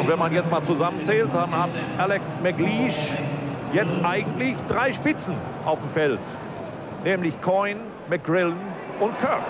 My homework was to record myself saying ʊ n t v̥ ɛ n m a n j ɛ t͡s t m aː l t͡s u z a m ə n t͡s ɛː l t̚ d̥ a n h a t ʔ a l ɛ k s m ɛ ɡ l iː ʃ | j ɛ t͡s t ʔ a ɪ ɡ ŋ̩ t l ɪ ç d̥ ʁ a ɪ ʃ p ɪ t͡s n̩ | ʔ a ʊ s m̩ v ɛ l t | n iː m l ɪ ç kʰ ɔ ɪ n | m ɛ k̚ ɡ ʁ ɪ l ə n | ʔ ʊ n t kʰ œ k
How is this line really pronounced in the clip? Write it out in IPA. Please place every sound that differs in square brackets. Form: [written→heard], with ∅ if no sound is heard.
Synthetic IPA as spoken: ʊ n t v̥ ɛ n m a n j ɛ t͡s t m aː l t͡s u z a m ə n t͡s ɛː l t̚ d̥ a n h a t ʔ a l ɛ k s m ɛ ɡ l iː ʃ | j ɛ t͡s t ʔ a ɪ ɡ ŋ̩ t l ɪ ç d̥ ʁ a ɪ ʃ p ɪ t͡s n̩ | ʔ a ʊ [s→f] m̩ [v→f] ɛ l t | n [iː→ɛː] m l ɪ ç kʰ ɔ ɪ n | m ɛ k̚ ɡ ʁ ɪ l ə n | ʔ ʊ n t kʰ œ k